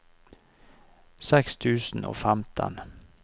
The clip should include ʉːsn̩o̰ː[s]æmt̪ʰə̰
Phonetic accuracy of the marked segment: incorrect: f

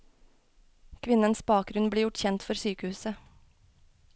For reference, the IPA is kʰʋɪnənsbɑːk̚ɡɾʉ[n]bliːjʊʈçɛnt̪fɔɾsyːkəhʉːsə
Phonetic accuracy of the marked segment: correct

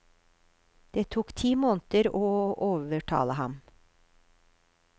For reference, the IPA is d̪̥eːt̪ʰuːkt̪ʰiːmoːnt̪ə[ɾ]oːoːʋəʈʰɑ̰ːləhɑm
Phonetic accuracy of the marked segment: correct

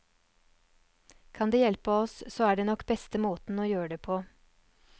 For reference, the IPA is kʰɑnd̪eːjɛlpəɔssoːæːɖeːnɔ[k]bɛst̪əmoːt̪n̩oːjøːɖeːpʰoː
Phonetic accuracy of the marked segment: correct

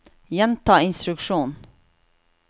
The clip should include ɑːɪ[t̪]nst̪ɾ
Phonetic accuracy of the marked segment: incorrect: none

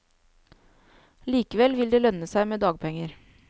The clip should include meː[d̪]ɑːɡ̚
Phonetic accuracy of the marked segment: correct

